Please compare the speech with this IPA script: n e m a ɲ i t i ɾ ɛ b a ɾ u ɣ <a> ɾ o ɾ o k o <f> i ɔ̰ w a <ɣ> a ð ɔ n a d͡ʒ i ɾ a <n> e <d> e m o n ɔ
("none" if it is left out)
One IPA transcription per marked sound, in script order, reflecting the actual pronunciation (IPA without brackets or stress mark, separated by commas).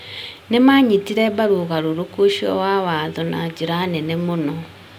a, ʃ, w, n, n